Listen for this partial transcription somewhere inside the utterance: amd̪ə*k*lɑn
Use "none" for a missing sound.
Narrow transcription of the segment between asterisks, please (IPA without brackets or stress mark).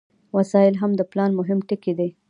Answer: p